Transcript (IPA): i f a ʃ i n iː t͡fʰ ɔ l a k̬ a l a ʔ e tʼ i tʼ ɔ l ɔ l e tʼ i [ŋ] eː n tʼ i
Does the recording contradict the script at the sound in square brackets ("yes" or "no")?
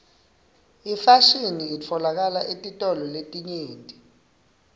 yes